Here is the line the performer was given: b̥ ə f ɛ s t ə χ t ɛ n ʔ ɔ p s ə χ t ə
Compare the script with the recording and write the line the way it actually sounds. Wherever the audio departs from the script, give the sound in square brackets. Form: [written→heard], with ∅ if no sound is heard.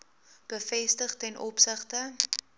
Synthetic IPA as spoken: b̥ ə f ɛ s t ə χ t ɛ n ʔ ɔ p s ə χ t ə